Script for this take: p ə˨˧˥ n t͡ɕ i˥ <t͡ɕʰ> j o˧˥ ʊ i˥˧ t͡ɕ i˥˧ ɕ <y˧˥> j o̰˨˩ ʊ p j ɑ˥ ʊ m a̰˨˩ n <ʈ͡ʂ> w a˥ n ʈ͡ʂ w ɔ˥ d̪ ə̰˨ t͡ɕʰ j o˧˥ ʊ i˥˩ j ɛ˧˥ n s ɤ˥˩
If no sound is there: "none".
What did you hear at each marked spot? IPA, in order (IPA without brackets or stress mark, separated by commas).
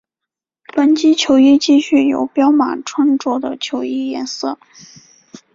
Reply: t͡ɕʰ, y˥˩, ʈ͡ʂʰ